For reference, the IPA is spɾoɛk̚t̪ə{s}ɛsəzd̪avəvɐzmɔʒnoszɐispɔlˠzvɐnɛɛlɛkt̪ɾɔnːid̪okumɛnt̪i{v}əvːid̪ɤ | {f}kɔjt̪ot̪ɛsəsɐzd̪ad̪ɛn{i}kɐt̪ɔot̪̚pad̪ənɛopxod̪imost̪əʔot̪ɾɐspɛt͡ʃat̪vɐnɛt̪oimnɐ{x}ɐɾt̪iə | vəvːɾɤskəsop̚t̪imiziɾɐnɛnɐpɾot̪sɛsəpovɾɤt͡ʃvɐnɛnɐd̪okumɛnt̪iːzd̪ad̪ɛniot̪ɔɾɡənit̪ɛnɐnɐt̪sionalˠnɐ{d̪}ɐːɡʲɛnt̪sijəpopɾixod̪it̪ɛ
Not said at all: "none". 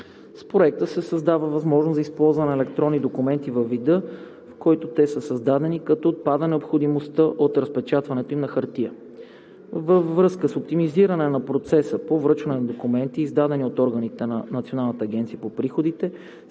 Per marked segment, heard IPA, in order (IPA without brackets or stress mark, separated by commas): s, v, f, i, x, t̪